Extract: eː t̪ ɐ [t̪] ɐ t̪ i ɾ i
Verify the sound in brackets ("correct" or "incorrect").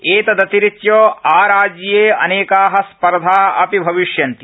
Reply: incorrect